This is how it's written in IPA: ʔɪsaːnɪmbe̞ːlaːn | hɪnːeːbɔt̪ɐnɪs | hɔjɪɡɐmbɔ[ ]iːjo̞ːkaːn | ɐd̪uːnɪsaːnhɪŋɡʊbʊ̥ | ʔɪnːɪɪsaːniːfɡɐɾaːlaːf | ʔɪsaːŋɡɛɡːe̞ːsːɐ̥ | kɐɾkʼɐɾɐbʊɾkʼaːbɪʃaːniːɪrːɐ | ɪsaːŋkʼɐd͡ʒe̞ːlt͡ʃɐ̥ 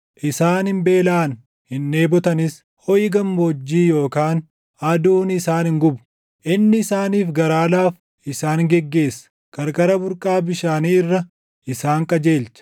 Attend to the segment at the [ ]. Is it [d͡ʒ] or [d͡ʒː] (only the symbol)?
d͡ʒː